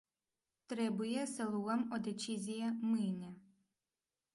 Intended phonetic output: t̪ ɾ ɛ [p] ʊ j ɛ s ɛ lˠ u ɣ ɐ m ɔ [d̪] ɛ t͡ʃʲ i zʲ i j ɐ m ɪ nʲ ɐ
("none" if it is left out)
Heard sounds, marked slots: b, d̪

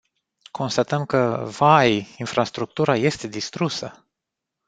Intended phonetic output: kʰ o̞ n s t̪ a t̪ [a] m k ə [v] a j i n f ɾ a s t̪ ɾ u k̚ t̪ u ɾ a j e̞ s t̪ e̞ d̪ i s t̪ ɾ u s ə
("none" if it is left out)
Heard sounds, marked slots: ə, v

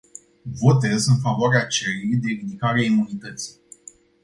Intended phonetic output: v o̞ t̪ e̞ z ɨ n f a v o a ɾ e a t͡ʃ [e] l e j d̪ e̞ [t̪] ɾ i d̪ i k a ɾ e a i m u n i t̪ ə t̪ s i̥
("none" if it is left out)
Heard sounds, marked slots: e, none

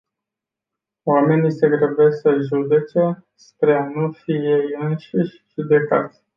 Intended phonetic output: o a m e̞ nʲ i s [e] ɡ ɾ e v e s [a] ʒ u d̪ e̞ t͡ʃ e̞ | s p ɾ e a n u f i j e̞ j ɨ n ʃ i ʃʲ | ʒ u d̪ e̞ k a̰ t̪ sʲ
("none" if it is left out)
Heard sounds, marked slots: e, ə

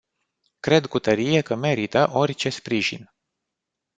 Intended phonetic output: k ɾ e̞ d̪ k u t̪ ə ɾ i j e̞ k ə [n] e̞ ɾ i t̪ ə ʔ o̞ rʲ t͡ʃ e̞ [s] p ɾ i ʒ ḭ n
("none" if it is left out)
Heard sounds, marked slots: m, s

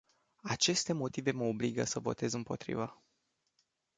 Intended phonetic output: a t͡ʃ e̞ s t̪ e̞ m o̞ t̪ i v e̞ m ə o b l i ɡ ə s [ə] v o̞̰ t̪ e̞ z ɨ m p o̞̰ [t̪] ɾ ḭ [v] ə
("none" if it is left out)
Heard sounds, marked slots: ə, t̪, v

